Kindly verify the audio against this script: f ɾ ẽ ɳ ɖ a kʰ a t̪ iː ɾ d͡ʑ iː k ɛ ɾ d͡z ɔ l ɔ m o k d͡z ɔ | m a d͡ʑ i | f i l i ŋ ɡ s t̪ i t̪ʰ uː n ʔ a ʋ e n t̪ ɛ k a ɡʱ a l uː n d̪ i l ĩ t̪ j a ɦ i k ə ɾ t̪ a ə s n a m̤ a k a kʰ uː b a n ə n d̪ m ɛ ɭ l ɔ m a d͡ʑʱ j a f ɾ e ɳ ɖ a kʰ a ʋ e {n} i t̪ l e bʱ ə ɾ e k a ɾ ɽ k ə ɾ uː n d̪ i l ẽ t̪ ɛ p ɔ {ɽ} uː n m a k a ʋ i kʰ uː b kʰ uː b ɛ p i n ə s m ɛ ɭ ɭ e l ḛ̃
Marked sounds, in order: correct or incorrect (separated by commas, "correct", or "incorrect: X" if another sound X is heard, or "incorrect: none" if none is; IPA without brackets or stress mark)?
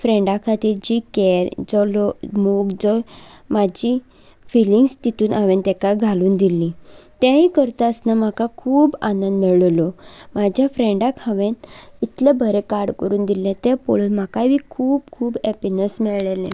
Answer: correct, incorrect: ɭ